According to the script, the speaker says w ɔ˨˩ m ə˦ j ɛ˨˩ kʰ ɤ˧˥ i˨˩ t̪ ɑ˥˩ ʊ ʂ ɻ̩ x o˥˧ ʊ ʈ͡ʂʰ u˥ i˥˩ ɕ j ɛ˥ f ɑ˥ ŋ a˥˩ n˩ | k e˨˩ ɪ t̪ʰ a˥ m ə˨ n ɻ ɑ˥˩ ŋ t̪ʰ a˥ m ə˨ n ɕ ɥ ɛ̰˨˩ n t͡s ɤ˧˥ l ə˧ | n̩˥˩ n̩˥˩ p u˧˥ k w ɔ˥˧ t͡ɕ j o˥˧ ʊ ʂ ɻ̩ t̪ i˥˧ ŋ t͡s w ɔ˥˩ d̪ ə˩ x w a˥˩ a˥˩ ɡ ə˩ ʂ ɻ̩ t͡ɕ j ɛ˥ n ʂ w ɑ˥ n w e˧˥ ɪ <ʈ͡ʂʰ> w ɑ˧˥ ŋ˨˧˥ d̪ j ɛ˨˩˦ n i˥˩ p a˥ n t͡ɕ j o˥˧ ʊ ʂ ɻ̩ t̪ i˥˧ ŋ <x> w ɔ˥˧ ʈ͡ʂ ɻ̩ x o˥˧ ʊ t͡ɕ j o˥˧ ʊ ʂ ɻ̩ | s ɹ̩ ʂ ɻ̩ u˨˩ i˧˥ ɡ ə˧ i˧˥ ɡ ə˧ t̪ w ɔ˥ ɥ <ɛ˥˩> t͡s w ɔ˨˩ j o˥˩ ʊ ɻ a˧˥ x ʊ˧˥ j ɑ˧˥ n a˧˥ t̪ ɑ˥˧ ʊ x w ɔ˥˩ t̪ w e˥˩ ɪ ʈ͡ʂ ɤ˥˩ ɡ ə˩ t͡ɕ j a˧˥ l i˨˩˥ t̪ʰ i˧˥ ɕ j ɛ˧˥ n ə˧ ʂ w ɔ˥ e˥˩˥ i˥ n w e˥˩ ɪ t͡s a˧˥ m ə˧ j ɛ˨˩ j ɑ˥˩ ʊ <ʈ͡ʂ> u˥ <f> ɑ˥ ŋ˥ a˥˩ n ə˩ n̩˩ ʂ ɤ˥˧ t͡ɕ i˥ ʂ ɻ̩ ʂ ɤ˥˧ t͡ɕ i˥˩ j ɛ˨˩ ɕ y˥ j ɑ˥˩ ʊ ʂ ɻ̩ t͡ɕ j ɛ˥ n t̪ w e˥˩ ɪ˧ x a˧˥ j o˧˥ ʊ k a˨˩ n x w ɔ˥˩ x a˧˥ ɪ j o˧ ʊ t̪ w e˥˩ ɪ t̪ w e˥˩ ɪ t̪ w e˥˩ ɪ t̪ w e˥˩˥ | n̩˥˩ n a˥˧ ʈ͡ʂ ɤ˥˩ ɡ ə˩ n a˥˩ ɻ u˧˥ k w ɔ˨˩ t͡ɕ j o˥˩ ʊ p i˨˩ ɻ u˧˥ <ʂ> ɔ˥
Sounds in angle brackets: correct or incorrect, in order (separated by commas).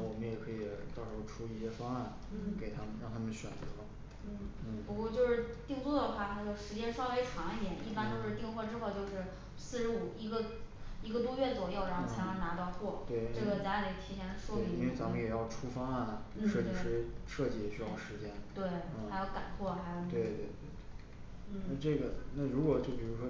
correct, correct, correct, incorrect, correct, correct